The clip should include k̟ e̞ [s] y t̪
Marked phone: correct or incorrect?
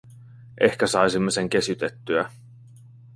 correct